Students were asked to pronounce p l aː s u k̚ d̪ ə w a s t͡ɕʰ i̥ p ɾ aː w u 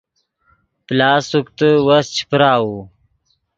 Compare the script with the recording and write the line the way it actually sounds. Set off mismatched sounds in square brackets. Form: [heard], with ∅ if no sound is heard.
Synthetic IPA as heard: p l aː s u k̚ [t̪] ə w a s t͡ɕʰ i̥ p ɾ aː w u

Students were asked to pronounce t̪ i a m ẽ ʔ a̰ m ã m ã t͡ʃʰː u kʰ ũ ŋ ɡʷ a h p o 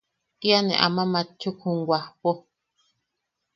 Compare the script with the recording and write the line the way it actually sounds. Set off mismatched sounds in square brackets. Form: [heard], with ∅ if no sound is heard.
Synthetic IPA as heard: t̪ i a [n] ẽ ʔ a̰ m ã m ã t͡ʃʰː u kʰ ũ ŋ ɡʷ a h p o

